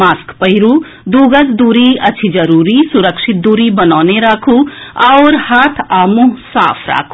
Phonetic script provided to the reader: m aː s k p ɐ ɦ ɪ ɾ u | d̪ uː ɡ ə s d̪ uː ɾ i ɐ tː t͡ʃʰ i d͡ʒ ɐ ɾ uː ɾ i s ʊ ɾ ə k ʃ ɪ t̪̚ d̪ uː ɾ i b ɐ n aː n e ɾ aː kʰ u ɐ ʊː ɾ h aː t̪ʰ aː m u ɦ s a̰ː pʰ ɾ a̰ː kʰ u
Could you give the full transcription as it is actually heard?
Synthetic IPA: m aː s k p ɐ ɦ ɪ ɾ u | d̪ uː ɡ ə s d̪ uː ɾ i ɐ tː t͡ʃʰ i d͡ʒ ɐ ɾ uː ɾ i s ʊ ɾ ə k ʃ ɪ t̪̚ d̪ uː ɾ i b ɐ n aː n e ɾ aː kʰ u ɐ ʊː ɾ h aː t̪ʰ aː m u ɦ s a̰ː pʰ ɾ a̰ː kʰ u